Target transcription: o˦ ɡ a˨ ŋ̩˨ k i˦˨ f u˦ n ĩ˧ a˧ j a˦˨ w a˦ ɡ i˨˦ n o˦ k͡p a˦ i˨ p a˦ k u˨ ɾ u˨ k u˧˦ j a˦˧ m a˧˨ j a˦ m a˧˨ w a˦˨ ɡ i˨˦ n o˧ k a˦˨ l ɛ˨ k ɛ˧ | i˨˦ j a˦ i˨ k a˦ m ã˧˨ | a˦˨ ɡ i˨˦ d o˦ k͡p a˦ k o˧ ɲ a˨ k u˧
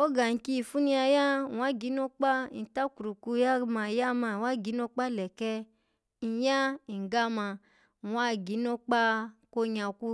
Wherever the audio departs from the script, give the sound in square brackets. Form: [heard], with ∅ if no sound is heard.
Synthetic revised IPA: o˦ ɡ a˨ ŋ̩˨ k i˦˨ f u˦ n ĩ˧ a˧ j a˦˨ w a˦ ɡ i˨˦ n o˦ k͡p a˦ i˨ [t] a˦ k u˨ ɾ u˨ k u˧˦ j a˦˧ m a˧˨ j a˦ m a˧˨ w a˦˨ ɡ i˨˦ n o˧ [k͡p] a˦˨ l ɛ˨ k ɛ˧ | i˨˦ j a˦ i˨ [ɡ] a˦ m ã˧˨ | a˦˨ ɡ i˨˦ [n] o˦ k͡p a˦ k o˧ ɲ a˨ k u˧